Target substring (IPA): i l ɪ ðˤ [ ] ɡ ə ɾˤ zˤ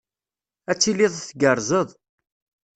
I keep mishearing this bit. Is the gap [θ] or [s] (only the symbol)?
θ